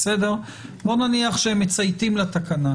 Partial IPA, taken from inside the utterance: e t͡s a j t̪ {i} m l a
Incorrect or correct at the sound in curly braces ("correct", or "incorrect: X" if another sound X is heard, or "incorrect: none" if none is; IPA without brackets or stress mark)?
correct